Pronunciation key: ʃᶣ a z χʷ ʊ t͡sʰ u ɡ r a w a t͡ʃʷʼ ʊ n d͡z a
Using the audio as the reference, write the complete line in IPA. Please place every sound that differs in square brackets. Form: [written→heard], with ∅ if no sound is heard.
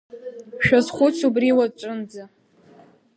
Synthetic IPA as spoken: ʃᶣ a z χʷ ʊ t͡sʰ u [ɡ→b] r [a→i] w a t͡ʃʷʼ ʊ n d͡z a